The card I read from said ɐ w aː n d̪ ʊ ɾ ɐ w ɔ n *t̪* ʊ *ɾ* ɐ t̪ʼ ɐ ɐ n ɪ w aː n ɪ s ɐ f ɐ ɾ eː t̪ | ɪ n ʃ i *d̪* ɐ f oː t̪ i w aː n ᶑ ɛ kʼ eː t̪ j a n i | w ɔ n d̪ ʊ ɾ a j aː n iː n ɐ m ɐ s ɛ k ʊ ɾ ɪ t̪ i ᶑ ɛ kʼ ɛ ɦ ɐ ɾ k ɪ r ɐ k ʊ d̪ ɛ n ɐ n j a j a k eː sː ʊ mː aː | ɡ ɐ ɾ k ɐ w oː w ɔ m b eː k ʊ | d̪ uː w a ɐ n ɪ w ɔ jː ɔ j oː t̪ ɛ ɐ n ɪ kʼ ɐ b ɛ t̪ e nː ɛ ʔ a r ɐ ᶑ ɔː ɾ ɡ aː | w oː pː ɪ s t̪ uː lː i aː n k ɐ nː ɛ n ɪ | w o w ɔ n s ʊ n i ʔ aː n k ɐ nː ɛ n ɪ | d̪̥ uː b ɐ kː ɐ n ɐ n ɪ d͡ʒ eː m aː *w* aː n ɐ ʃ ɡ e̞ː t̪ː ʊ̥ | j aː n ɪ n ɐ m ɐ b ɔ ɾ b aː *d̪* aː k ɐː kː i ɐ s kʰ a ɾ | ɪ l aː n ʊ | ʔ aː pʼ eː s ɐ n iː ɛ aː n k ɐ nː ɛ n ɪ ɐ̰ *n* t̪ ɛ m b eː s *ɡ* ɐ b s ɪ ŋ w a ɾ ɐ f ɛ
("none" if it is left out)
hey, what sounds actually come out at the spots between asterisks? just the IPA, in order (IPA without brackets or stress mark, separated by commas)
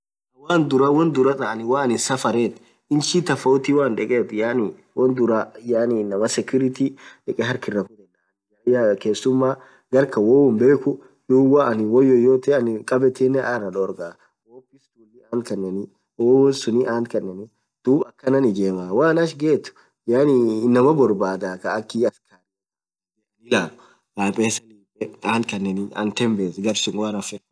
d̪, ɾ, t̪, w, d̪, n, ɡ